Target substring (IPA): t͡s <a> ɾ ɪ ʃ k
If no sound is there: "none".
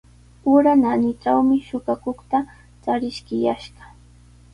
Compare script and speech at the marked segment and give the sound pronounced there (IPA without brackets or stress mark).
a